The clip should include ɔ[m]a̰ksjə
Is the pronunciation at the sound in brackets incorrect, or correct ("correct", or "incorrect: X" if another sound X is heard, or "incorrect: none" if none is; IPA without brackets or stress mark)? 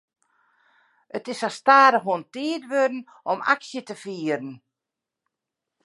correct